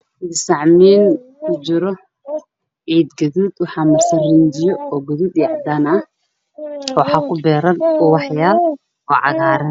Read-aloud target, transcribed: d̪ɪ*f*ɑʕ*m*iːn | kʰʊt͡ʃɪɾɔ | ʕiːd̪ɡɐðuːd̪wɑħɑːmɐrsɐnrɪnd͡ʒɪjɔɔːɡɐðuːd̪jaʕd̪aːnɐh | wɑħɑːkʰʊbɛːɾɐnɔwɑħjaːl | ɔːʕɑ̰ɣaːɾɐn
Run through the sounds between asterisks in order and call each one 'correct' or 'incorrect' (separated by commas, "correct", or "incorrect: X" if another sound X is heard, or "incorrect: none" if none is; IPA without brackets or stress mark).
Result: incorrect: s, correct